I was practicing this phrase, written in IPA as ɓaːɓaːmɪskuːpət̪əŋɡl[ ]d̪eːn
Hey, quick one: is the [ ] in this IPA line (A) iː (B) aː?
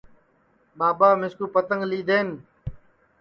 A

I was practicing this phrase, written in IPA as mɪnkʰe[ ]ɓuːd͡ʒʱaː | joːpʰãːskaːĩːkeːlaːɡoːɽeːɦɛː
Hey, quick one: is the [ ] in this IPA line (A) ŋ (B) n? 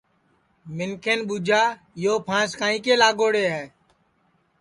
B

